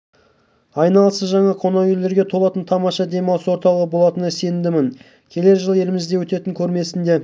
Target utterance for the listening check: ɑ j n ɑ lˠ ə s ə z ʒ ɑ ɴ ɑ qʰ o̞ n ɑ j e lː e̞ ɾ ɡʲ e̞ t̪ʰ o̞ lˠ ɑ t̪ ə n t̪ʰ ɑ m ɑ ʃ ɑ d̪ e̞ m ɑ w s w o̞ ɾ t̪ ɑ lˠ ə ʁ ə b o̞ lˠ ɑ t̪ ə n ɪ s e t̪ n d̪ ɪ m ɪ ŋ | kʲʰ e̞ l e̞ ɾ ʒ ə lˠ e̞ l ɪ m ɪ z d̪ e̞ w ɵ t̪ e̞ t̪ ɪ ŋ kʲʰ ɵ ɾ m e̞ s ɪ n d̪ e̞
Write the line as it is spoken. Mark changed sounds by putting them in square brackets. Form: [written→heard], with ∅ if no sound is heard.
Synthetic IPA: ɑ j n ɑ lˠ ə s ə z ʒ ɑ ɴ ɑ qʰ o̞ n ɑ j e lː e̞ ɾ ɡʲ e̞ t̪ʰ o̞ lˠ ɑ t̪ ə n t̪ʰ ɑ m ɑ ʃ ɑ d̪ e̞ m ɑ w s w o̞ ɾ t̪ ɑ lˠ ə ʁ ə b o̞ lˠ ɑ t̪ ə n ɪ s e [t̪→∅] n d̪ ɪ m ɪ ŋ | kʲʰ e̞ l e̞ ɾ ʒ ə lˠ e̞ l ɪ m ɪ z d̪ e̞ w ɵ t̪ e̞ t̪ ɪ ŋ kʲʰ ɵ ɾ m e̞ s ɪ n d̪ e̞